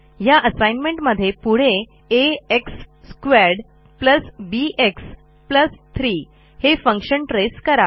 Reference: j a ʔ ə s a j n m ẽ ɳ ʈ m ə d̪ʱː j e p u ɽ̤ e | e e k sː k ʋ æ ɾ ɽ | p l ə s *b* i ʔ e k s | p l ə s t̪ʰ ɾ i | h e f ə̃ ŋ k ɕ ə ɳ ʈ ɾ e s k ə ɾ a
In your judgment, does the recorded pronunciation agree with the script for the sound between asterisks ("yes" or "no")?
yes